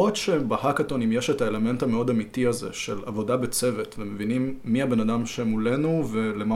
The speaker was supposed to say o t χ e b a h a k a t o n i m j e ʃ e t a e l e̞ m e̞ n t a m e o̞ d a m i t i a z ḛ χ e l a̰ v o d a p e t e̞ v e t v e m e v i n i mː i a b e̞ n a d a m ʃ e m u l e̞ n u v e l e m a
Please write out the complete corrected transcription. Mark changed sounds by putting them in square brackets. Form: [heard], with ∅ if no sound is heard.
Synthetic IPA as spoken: o t [ʃ] e b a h a k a t o n i m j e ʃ e t a e l e̞ m e̞ n t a m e o̞ d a m i t i a z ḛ [ʃ] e l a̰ v o d a [b] e [t͡s] e̞ v e t v e m e v i n i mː i a b e̞ n a d a m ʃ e m u l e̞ n u v e l e m a